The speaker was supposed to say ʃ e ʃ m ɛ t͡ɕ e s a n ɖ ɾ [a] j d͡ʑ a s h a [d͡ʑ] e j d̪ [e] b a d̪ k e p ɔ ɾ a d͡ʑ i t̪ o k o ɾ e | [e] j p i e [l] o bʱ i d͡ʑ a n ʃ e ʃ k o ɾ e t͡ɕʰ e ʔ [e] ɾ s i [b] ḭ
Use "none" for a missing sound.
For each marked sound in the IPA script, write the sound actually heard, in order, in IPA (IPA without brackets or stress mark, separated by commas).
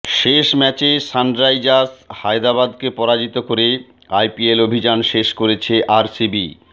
a, none, a, a, l, a, b